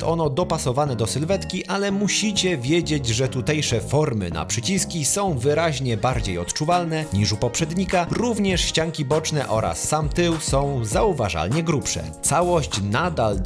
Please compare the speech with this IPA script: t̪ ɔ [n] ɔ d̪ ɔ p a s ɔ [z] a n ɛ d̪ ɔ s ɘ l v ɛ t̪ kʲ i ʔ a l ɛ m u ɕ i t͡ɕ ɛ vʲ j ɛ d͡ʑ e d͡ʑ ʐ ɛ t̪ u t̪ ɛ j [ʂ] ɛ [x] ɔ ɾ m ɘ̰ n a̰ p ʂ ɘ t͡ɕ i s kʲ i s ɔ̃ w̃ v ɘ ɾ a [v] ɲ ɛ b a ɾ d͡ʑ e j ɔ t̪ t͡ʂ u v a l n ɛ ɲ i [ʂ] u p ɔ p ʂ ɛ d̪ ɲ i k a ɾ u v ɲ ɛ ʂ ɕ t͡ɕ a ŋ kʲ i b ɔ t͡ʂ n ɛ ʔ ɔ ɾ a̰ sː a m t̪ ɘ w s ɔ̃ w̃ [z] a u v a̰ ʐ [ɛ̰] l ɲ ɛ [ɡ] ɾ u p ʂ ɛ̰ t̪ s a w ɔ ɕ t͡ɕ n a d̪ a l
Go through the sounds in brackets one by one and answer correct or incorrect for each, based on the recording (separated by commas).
correct, incorrect, correct, incorrect, incorrect, correct, correct, incorrect, correct